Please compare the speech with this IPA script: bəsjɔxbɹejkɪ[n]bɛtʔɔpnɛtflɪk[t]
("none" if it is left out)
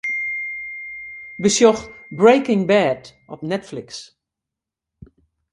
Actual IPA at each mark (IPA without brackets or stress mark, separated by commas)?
ŋ, s